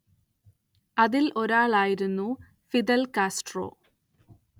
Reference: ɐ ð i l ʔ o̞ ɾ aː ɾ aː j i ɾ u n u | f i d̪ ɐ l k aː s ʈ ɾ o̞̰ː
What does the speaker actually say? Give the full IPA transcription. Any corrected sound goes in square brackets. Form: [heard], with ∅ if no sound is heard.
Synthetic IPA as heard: ɐ ð i l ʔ o̞ ɾ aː [ɭ] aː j i ɾ u [nː] u | f i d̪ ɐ l k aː s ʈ [r] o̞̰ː